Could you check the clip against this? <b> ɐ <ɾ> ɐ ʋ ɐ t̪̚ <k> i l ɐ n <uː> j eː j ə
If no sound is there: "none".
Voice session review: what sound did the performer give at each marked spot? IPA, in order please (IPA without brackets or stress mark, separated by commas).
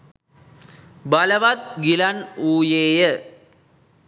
b, l, ɡ, uː